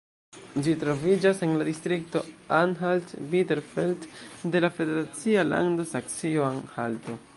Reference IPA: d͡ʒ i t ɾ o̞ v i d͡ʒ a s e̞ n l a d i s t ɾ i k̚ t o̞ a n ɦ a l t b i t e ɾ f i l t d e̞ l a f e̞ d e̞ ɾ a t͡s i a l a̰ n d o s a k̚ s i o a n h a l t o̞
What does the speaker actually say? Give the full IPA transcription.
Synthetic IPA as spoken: d͡ʒ i t ɾ o̞ v i d͡ʒ a s e̞ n l a d i s t ɾ i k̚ t o̞ a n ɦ a l t b i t e ɾ f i l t d e̞ l a f e̞ d e̞ ɾ a t͡s i a l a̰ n d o s a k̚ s i o a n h a l t o̞